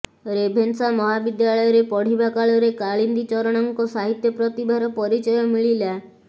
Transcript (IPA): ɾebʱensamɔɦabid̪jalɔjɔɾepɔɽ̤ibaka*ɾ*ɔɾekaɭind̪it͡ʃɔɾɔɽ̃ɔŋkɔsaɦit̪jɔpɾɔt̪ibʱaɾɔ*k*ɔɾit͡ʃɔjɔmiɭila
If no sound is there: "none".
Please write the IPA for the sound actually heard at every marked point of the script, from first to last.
ɭ, p

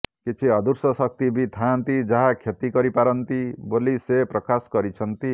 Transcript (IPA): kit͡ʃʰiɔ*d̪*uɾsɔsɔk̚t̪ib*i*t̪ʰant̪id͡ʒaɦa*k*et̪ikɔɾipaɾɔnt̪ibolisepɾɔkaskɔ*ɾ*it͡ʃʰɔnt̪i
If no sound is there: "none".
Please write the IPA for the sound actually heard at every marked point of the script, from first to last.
d̪, i, kʰ, ɾ

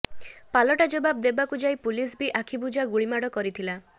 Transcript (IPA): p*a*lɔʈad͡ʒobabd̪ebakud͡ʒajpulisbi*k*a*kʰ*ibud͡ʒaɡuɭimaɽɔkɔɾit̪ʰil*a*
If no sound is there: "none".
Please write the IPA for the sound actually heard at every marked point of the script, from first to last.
a, ʔ, kʰ, a

